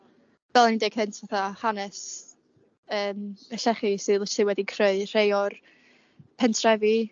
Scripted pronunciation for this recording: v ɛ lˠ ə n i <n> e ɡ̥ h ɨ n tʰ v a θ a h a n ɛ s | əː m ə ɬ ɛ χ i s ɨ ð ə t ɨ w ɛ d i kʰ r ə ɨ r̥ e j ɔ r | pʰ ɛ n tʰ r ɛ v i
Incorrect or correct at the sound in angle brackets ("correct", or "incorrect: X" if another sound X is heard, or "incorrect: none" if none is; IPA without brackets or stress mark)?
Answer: incorrect: d